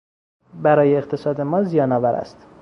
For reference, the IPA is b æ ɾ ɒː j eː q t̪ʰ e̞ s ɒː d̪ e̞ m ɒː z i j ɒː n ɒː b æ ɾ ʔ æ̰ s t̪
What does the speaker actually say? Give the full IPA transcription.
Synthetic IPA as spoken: b æ ɾ ɒː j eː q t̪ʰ e̞ s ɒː d̪ e̞ m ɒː z i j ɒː n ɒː v æ ɾ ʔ æ̰ s t̪